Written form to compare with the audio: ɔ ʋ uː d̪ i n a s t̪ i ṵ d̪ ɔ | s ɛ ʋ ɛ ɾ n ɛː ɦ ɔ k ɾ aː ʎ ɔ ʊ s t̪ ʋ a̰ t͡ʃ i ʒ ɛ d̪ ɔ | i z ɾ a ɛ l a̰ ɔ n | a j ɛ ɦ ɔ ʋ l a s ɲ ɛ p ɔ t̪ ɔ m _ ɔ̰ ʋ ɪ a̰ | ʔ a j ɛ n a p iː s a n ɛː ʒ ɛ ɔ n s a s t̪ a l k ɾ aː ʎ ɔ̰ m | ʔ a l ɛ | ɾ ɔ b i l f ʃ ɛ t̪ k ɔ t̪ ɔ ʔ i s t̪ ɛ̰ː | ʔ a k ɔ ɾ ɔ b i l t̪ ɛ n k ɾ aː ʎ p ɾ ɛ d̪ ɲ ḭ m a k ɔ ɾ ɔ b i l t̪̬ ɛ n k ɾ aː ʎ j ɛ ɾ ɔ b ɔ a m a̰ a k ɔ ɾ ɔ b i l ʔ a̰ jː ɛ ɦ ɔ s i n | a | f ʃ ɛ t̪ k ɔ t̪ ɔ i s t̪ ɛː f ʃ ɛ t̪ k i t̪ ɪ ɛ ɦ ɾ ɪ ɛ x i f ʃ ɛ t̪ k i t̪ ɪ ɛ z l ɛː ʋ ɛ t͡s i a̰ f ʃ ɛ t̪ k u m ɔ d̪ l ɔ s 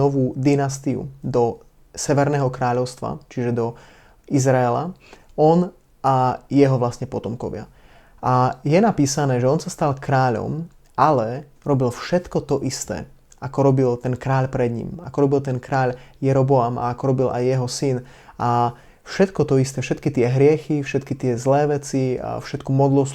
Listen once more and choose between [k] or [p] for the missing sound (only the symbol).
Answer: k